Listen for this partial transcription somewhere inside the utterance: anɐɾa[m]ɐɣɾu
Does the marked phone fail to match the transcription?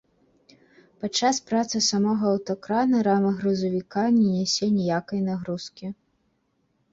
no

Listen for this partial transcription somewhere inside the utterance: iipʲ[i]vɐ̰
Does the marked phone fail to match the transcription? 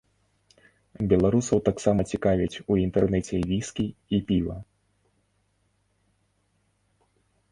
no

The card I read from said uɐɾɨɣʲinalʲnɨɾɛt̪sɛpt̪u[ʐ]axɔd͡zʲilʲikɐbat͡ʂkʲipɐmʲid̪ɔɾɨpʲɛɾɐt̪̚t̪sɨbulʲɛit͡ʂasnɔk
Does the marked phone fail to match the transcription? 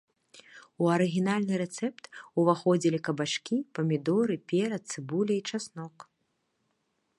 yes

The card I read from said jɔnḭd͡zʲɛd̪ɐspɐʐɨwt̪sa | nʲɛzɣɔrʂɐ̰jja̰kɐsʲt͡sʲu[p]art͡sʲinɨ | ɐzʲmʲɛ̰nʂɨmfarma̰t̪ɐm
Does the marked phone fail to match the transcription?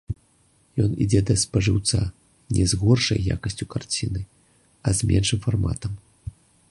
yes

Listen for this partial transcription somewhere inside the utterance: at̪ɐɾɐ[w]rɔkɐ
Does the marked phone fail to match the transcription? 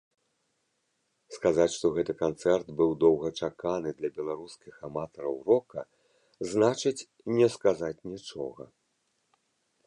no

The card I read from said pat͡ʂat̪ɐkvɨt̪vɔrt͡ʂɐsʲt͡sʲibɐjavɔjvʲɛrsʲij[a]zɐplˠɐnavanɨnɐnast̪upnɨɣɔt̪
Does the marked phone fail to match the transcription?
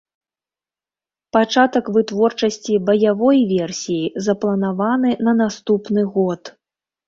yes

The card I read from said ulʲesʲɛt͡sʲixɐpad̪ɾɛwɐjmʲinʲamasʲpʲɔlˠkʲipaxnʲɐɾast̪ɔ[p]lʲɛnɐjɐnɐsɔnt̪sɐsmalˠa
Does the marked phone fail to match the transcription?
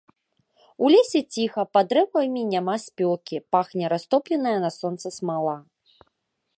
no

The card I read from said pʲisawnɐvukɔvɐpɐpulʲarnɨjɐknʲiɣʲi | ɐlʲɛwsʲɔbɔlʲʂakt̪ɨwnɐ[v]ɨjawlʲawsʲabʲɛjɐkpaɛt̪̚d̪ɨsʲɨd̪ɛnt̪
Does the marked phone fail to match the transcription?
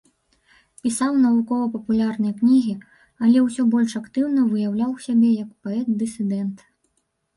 no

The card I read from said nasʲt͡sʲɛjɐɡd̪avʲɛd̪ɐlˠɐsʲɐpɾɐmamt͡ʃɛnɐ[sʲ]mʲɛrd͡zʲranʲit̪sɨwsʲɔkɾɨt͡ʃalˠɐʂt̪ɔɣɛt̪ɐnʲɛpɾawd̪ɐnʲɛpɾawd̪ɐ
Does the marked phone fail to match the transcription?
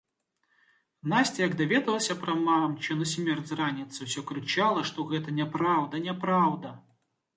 no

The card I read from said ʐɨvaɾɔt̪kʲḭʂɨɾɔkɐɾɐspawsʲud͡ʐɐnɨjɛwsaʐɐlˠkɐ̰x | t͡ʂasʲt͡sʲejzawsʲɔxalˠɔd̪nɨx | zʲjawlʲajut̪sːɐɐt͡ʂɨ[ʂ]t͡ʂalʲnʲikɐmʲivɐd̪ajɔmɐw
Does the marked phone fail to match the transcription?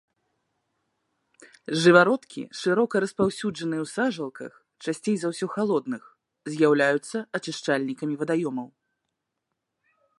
no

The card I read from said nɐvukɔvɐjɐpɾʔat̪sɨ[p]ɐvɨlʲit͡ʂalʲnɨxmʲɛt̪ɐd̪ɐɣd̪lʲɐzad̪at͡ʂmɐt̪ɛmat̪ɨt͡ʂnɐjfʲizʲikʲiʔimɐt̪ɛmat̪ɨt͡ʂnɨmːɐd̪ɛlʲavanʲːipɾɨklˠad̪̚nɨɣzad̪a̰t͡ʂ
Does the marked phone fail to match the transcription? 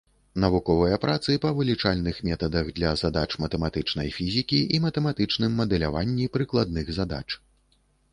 no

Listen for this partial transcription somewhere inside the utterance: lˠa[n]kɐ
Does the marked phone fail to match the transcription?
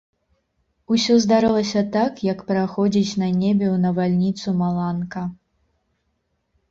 no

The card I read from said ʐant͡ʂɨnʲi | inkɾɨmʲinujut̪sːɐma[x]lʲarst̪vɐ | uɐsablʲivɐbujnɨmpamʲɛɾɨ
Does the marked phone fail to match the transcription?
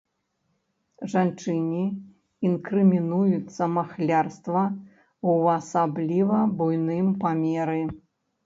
no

